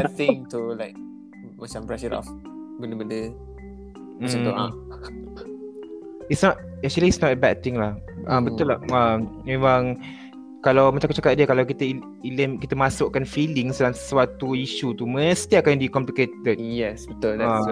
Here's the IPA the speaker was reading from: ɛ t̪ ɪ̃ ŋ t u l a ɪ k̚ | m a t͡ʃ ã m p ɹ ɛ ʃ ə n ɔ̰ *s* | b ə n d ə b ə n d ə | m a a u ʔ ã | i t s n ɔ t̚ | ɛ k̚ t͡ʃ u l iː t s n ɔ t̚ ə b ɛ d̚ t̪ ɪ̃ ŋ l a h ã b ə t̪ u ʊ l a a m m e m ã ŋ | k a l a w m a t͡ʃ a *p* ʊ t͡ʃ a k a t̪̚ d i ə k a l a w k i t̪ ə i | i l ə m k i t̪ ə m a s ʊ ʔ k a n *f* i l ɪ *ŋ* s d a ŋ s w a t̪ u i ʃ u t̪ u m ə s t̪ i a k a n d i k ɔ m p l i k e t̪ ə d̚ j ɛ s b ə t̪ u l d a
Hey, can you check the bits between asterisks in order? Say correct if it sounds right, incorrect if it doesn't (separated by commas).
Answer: incorrect, incorrect, correct, correct